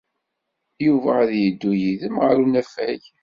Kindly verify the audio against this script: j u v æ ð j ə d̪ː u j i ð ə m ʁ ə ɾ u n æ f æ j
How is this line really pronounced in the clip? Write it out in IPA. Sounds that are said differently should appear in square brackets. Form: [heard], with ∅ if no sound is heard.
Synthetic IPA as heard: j u v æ ð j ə d̪ː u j i ð ə m ʁ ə ɾ u n æ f æ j

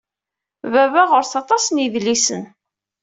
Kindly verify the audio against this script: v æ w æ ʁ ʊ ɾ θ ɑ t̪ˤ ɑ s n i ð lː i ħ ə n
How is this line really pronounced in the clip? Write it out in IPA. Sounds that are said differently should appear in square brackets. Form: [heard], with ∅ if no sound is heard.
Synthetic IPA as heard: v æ [v] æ ʁ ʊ ɾ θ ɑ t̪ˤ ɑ s n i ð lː i [s] ə n

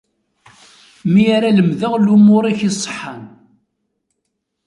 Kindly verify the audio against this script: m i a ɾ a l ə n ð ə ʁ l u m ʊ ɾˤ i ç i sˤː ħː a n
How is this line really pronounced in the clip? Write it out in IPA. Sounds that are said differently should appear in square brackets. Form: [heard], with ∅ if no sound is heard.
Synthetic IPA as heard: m i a ɾ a l ə [m] ð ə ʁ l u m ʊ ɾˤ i ç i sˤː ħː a n

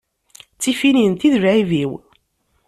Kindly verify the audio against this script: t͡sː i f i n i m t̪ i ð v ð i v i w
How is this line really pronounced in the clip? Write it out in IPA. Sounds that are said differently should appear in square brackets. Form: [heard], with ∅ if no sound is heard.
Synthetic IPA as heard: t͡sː i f i n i [n] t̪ i ð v [ʕ] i v i w

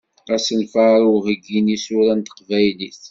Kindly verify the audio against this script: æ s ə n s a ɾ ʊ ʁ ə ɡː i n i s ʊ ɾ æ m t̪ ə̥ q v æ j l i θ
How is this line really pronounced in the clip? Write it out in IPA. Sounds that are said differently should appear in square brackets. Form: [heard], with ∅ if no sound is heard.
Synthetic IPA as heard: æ s ə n [f] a ɾ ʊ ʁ ə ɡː i n i s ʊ ɾ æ [n] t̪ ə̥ q v æ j l i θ

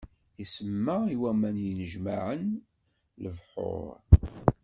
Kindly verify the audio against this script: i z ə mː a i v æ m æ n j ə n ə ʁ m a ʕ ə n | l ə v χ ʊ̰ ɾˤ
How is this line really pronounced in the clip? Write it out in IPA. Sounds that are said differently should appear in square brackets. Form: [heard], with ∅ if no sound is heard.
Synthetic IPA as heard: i [s] ə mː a i [w] æ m æ n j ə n ə [ʒ] m a ʕ ə n | l ə v [ħ] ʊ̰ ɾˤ

